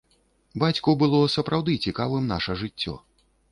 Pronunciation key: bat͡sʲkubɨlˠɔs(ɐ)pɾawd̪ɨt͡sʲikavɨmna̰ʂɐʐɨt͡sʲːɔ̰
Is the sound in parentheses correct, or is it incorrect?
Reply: correct